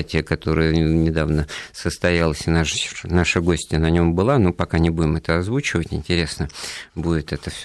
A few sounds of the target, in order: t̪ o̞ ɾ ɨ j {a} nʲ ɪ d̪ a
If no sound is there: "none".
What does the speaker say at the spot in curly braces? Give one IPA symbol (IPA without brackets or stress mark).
ə